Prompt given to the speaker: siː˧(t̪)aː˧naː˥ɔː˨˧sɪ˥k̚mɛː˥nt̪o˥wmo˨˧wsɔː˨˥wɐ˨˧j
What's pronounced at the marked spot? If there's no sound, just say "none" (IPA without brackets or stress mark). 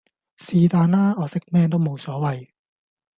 t̪